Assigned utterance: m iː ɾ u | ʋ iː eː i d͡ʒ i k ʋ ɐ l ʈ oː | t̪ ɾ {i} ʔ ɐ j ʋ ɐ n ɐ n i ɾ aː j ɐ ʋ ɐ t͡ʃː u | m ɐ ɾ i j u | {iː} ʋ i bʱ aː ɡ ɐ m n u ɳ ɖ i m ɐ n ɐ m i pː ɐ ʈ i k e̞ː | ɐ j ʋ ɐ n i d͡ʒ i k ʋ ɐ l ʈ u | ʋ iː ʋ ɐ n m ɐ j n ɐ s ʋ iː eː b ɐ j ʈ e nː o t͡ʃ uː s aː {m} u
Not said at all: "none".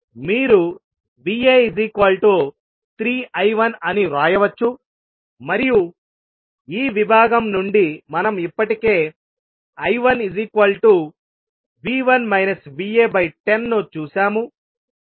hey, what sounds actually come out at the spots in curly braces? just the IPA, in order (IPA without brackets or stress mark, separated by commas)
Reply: iː, iː, m